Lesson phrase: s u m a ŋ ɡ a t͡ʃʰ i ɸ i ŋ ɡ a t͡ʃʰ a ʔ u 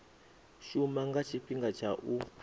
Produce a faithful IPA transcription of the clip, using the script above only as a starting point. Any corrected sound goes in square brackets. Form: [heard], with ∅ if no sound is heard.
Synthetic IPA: [ʃ] u m a ŋ ɡ a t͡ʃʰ i ɸ i ŋ ɡ a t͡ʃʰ a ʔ u